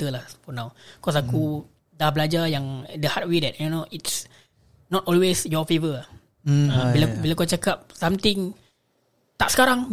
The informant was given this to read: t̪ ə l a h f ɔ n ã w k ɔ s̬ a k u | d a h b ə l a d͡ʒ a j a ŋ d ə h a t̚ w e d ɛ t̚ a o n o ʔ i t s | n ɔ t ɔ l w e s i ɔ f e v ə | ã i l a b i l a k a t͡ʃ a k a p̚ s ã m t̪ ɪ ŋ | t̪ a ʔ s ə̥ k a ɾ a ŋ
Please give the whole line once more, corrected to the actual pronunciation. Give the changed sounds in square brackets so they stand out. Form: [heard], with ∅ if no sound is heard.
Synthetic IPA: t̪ ə l a h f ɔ n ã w k ɔ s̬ a k u | d a h b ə l a d͡ʒ a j a ŋ d ə h a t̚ w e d ɛ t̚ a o n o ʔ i t s | n ɔ t ɔ l w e s [j] ɔ f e v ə | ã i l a b i l a k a t͡ʃ a k a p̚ s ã m t̪ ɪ ŋ | t̪ a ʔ s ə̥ k a ɾ a ŋ